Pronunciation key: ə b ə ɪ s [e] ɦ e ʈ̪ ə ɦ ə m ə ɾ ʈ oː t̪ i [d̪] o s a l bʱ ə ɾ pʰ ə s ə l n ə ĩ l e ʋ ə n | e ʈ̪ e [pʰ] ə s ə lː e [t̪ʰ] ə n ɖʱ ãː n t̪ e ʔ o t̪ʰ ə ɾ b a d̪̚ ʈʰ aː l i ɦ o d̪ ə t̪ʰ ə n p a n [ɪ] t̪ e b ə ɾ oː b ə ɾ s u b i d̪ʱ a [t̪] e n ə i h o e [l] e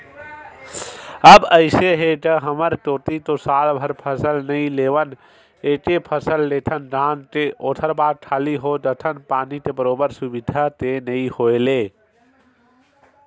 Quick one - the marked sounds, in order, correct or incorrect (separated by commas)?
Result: correct, incorrect, correct, correct, incorrect, correct, correct